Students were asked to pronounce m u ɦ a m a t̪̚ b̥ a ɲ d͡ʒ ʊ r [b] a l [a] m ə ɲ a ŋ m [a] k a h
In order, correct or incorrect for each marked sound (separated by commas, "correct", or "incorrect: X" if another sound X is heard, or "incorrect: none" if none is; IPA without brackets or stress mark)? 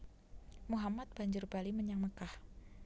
correct, incorrect: i, incorrect: ə